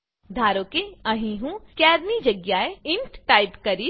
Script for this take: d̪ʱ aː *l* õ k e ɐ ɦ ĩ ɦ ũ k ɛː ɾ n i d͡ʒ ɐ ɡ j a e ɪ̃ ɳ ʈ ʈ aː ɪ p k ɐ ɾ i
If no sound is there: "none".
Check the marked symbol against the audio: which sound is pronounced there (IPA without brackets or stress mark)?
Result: ɾ